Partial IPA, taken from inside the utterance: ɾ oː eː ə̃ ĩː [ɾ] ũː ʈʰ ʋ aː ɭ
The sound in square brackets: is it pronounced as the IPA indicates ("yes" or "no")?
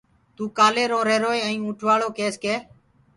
no